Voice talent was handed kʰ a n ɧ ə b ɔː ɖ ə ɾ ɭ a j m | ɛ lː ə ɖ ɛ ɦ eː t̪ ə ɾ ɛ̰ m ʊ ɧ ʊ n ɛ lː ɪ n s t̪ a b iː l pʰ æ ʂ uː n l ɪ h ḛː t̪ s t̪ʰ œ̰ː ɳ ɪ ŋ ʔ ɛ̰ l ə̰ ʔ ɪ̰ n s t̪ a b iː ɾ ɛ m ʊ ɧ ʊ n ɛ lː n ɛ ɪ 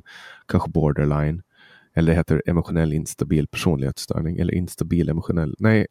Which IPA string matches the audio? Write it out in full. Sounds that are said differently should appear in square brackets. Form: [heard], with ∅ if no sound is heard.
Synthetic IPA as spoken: kʰ a n ɧ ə b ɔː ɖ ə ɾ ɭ a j [n] | ɛ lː ə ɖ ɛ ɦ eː t̪ ə ɾ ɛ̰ m ʊ ɧ ʊ n ɛ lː ɪ n s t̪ a b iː l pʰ æ ʂ uː n l ɪ h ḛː t̪ s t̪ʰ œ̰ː ɳ ɪ ŋ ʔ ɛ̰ [lː] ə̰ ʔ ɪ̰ n s t̪ a b iː [l] ɛ m ʊ ɧ ʊ n ɛ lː n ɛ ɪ